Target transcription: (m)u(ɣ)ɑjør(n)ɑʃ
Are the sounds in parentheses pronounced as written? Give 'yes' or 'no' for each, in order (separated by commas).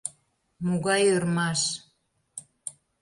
yes, yes, no